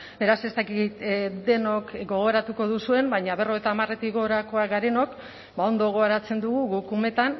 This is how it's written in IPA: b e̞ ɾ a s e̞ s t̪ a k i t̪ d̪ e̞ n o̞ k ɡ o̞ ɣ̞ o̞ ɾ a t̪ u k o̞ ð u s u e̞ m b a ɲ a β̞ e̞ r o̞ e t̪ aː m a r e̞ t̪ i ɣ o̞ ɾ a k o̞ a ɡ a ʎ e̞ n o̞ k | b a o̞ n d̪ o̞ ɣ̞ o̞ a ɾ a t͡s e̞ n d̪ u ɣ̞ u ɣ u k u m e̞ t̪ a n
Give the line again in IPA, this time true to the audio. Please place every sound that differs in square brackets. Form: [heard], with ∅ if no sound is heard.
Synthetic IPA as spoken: b e̞ ɾ a s e̞ s t̪ a k i t̪ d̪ e̞ n o̞ k ɡ o̞ ɣ̞ o̞ ɾ a t̪ u k o̞ ð u s u e̞ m b a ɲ a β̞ e̞ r o̞ e t̪ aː m a r e̞ t̪ i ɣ o̞ ɾ a k o̞ a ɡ a [ɾ] e̞ n o̞ k | b a o̞ n d̪ o̞ ɣ̞ o̞ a ɾ a t͡s e̞ n d̪ u ɣ̞ u ɣ u k u m e̞ t̪ a n